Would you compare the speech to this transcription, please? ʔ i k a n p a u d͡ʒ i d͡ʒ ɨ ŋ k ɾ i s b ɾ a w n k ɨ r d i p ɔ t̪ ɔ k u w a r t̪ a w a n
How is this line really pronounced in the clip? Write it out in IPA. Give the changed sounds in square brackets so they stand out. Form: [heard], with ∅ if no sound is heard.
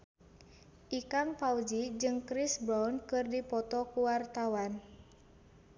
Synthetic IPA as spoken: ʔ i k a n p a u d͡ʒ i d͡ʒ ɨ ŋ k ɾ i s b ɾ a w n k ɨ r d i p ɔ t̪ ɔ k u w a r t̪ a w a n